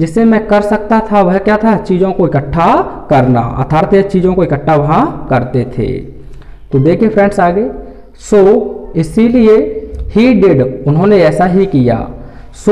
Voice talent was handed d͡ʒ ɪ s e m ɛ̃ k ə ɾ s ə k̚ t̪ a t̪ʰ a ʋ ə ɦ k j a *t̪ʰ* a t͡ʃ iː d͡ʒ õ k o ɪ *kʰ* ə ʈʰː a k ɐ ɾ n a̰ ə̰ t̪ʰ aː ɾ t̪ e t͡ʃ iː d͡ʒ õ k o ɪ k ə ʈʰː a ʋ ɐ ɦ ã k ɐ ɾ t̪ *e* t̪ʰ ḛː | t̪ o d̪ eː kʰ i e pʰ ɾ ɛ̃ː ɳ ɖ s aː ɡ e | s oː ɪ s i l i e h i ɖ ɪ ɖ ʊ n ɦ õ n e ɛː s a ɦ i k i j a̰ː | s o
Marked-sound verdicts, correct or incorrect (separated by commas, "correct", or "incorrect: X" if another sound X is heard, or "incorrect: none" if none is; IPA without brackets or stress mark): correct, incorrect: k, correct